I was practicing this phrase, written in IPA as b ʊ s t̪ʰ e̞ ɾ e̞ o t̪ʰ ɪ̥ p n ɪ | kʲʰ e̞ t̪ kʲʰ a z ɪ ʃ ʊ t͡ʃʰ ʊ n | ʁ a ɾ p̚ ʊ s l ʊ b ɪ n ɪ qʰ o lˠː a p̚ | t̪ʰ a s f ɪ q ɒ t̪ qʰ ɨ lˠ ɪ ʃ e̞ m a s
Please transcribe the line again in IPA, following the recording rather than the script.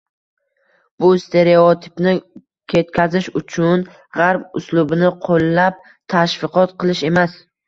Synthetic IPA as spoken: b ʊ s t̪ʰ e̞ ɾ e̞ o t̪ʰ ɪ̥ p n ɪ | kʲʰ e̞ t̪ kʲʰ a z ɪ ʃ ʊ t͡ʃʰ ʊ n | ʁ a ɾ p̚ ʊ s l ʊ b ɪ n ɪ qʰ o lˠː a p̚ | t̪ʰ a ʃ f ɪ q ɒ t̪ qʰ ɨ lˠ ɪ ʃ e̞ m a s